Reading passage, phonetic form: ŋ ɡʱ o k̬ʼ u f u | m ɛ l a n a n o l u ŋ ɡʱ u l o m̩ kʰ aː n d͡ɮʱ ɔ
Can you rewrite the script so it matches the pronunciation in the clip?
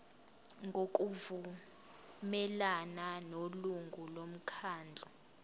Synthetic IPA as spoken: ŋ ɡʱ o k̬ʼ u v u | m ɛ l a n a n o l u ŋ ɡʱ u l o m̩ kʰ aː n d͡ɮʱ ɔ